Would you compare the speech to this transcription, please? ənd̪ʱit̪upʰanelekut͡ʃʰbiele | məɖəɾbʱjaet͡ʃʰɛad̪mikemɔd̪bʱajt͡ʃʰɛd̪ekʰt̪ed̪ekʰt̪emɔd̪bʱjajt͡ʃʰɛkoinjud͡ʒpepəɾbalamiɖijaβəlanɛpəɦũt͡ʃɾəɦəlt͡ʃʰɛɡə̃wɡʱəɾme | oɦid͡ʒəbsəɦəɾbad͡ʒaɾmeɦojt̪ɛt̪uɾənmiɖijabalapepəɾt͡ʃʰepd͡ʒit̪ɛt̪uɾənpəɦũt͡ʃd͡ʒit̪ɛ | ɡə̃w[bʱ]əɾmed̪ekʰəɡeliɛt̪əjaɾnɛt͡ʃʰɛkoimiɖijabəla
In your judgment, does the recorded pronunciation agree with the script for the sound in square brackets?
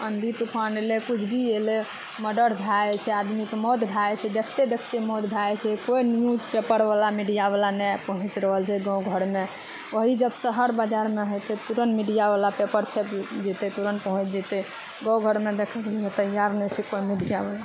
no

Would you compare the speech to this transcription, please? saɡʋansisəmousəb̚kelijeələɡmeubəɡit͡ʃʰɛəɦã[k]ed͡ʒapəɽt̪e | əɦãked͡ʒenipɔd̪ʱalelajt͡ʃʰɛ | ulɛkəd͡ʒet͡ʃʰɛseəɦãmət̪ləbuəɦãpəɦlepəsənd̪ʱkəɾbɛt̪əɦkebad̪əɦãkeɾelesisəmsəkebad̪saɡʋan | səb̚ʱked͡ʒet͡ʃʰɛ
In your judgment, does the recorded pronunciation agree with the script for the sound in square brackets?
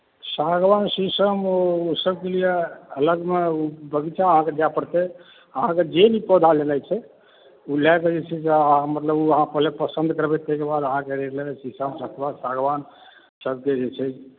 yes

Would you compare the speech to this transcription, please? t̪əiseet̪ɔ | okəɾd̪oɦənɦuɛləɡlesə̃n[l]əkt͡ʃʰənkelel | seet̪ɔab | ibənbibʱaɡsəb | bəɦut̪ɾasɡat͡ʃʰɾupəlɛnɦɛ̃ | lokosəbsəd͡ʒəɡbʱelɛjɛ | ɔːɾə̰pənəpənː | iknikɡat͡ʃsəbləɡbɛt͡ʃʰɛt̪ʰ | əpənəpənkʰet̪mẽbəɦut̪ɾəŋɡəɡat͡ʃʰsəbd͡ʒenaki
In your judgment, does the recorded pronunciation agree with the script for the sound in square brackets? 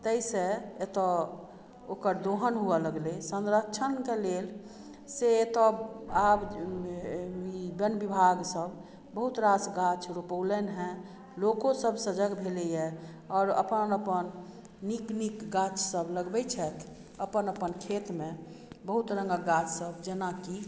no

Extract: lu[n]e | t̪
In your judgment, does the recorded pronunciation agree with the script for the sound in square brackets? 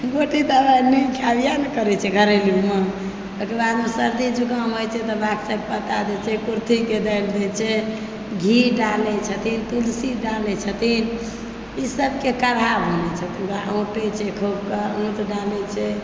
no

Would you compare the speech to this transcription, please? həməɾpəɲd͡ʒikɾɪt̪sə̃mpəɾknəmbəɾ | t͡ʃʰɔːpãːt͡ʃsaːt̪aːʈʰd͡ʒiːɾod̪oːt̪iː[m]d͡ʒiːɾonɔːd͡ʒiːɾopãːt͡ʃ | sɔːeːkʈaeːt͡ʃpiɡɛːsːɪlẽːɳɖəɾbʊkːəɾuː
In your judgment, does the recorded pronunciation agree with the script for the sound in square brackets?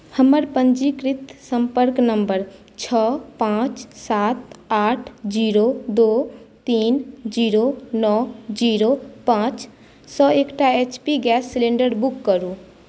no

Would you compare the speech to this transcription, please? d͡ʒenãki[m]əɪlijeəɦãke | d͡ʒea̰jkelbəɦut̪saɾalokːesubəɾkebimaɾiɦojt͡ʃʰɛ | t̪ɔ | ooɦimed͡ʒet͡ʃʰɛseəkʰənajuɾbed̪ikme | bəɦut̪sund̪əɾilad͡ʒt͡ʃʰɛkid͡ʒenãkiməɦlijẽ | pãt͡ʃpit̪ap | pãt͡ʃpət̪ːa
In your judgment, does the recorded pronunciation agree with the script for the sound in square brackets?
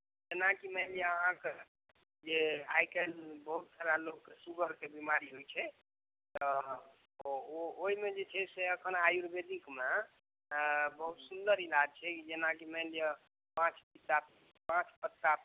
yes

